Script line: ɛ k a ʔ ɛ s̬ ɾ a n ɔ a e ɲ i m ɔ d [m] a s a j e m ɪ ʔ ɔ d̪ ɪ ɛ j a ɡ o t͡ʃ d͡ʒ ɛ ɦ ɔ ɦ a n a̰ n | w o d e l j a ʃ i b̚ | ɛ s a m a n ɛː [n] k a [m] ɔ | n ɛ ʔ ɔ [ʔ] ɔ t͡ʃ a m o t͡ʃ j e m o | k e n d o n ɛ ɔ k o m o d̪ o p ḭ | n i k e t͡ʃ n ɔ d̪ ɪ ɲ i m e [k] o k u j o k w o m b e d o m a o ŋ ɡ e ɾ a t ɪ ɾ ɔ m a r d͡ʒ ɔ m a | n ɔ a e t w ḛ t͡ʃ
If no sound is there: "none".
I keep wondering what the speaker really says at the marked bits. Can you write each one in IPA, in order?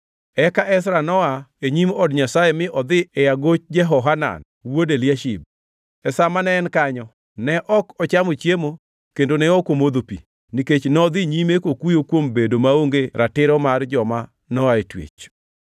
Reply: ɲ, n, ɲ, k, k

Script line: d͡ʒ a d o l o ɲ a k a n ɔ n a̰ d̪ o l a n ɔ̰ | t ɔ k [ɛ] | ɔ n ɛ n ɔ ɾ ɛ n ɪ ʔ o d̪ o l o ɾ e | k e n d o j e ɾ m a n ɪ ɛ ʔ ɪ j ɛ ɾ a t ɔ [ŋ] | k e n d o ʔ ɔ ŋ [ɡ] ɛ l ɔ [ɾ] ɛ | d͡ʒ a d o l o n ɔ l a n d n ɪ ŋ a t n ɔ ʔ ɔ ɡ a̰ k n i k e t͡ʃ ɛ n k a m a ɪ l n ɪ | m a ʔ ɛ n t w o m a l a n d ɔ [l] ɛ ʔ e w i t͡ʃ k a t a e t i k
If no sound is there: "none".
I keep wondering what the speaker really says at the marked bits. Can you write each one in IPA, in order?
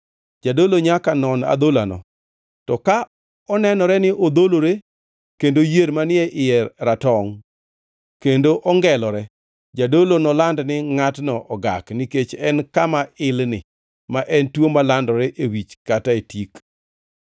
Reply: a, ŋ, ɡ, ɾ, ɾ

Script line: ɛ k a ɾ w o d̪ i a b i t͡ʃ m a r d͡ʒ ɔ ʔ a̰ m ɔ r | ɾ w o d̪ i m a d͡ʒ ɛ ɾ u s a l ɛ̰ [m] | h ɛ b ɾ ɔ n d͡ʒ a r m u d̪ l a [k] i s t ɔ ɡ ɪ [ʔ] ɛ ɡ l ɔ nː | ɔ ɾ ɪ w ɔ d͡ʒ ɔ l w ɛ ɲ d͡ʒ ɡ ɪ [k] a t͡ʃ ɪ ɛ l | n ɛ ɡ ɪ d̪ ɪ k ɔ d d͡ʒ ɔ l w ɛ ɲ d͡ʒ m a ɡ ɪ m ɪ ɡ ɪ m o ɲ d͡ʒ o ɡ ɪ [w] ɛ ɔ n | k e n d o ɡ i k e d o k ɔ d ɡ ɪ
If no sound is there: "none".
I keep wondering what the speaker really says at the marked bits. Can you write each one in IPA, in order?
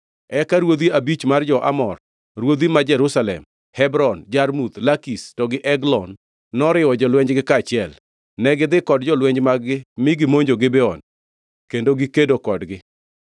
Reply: m, k, ʔ, k, b

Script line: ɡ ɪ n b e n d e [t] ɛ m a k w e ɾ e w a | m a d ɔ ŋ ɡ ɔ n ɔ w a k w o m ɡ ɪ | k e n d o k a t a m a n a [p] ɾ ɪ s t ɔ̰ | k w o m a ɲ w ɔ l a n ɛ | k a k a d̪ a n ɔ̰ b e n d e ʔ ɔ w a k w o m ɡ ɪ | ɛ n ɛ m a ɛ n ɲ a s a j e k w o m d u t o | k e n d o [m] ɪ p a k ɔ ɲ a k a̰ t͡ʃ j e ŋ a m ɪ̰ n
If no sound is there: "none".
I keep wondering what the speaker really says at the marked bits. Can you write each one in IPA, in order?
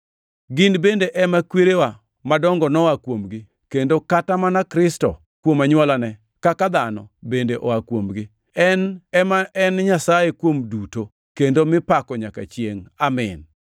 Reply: ʔ, k, m

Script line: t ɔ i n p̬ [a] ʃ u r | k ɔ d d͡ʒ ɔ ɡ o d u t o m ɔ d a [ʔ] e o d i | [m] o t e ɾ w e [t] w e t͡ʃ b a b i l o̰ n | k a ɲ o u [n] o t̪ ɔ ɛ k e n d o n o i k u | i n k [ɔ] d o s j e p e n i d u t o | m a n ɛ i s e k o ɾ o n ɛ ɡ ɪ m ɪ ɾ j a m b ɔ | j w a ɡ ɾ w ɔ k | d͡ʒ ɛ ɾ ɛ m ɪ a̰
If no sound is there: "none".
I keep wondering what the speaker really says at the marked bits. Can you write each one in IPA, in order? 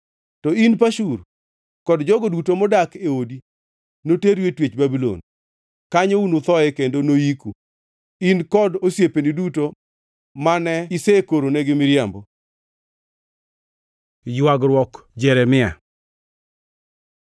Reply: a, k, n, t, n, ɔ

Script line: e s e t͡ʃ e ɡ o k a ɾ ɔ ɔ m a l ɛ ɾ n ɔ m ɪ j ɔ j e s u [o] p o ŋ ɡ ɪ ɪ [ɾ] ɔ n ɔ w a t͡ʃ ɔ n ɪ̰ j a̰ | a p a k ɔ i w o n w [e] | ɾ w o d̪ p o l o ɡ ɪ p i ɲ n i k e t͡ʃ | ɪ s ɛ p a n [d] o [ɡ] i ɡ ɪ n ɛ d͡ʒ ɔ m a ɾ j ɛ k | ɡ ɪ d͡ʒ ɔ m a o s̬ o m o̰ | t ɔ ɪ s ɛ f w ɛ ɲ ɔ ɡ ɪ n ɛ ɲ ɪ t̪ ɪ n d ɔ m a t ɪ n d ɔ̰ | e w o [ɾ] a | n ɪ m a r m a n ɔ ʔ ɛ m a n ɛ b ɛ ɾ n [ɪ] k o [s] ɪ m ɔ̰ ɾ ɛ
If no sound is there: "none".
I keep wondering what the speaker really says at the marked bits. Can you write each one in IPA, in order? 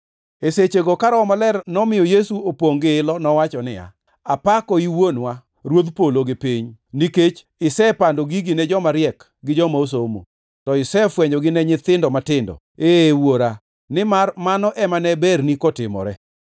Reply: o, l, a, d, ɡ, ɾ, i, t

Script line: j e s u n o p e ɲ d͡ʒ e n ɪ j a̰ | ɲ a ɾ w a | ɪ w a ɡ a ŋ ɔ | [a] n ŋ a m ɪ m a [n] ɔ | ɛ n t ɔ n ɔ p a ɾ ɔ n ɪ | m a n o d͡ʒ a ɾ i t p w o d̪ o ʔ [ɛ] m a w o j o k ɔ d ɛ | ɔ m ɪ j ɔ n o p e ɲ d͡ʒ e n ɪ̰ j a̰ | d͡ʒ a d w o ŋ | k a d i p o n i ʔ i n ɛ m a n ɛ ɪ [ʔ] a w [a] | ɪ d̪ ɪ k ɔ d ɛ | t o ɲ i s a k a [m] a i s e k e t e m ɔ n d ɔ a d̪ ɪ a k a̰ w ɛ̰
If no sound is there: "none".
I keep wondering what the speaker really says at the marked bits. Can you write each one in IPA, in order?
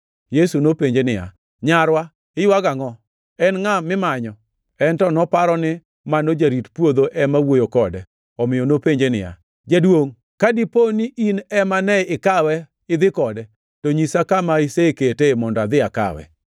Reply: ɛ, ɲ, ɛ, k, ɛ, m

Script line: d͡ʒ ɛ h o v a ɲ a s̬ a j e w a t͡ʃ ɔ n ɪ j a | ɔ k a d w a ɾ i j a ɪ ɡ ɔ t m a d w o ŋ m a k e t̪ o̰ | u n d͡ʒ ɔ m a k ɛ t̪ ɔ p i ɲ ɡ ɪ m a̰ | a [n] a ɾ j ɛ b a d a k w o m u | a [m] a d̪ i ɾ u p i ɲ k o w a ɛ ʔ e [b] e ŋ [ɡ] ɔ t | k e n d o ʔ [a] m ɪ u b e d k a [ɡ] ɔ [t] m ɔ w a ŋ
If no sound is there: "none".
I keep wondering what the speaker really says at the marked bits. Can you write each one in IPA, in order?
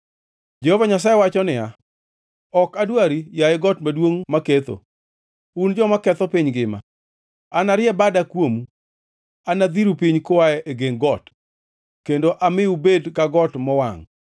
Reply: n, n, ɡ, ɡ, a, ɡ, t

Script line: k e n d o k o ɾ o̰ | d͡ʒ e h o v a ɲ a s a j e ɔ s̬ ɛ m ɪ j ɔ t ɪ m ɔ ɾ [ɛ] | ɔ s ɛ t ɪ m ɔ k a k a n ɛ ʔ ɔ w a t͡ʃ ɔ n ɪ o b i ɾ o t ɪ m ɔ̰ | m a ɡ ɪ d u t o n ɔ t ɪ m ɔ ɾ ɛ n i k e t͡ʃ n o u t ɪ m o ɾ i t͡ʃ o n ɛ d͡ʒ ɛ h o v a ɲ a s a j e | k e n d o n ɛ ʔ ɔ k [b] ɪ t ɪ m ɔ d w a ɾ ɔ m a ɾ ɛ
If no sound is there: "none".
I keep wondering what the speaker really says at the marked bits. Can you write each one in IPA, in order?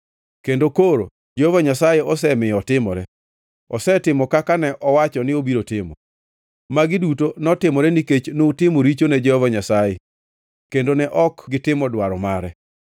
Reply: ɛ, ɡ

